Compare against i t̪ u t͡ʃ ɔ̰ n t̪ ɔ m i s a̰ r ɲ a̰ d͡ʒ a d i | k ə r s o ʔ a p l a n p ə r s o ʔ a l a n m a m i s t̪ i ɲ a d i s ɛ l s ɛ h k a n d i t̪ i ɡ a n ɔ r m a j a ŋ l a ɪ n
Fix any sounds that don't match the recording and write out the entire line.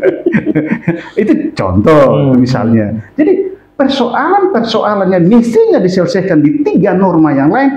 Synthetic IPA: i t̪ u t͡ʃ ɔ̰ n t̪ ɔ m i s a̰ l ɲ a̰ d͡ʒ a d i | p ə r s o ʔ a l a n p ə r s o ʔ a l a n ɲ a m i s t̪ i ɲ a d i s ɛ l s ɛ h k a n d i t̪ i ɡ a n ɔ r m a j a ŋ l a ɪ n